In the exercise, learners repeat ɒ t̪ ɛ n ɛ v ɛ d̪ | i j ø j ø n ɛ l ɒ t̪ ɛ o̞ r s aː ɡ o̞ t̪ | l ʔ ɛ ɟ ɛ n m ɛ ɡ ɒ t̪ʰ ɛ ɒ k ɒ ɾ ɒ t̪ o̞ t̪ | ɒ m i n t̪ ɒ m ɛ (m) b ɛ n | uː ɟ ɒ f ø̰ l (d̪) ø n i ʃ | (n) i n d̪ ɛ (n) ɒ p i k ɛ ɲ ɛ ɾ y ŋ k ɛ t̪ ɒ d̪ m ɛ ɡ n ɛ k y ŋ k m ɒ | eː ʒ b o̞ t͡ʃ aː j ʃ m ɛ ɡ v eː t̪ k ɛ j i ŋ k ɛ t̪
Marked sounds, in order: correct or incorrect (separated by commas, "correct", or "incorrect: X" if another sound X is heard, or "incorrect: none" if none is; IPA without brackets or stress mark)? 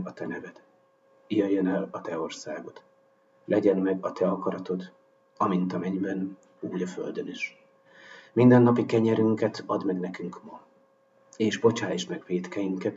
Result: incorrect: ɲ, correct, incorrect: m, incorrect: nː